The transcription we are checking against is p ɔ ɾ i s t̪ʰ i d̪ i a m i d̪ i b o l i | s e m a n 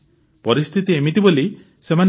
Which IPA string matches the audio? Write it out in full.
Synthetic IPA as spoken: p ɔ ɾ i s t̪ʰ i t̪ i e m i t̪ i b o l i | s e m a n